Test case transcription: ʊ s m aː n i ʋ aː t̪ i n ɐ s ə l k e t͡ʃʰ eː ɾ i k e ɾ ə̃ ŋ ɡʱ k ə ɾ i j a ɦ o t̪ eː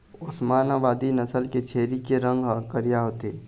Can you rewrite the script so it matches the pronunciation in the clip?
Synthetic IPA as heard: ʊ s m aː n a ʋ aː d̪ i n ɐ s ə l k e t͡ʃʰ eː ɾ i k e ɾ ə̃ ŋ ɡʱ k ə ɾ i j a ɦ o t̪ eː